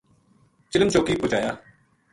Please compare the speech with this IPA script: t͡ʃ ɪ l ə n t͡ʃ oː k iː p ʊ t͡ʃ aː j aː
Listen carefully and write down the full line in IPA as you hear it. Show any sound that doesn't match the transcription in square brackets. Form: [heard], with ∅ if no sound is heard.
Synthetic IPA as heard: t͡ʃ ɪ l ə [m] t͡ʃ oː k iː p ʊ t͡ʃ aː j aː